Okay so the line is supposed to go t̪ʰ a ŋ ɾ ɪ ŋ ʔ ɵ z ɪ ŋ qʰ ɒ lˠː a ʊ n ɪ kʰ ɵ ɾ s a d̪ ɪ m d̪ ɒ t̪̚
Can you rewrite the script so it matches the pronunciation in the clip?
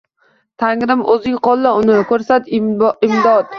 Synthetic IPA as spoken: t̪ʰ a ŋ ɾ ɪ m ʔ ɵ z ɪ ŋ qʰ ɒ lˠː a ʊ n ɪ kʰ ɵ ɾ s a t̪ ɪ m d̪ ɒ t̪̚